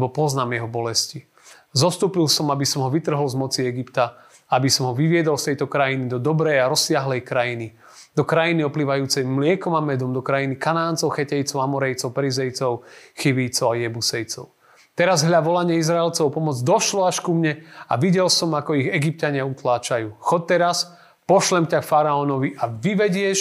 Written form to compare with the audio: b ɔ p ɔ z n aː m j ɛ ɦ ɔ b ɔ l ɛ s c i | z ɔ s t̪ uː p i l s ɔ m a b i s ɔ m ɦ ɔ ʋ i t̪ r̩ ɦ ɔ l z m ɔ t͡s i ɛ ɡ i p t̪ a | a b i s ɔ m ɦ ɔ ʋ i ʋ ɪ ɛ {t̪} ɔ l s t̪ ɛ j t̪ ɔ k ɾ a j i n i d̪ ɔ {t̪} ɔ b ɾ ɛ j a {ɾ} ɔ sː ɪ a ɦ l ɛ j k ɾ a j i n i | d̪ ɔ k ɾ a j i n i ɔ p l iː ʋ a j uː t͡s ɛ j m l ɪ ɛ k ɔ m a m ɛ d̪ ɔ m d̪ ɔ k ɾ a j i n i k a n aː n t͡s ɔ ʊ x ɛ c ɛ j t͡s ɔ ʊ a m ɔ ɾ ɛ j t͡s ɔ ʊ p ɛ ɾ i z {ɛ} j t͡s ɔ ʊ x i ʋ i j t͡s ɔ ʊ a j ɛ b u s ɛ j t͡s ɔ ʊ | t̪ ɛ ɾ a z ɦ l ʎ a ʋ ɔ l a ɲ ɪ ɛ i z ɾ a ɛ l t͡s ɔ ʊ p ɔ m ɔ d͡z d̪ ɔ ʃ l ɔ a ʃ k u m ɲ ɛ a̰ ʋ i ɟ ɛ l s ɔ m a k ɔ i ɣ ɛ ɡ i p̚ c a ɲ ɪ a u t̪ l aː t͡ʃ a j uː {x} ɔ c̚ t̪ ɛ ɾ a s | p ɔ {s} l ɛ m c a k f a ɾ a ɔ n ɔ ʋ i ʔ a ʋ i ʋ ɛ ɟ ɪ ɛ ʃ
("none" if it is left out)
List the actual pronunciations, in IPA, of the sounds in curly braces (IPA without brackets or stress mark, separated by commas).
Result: d̪, d̪, ɾ, ɛ, x, ʃ